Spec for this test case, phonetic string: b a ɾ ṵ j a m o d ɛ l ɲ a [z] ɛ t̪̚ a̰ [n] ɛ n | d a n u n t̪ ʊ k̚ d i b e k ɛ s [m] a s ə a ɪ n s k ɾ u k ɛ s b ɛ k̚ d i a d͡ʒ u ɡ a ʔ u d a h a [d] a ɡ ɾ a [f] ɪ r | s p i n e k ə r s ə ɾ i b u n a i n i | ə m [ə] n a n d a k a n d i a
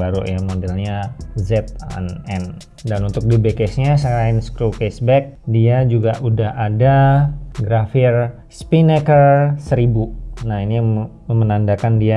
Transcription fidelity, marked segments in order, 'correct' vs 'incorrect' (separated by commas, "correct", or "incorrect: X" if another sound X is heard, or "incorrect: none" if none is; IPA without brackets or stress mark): correct, correct, incorrect: ɲ, correct, correct, correct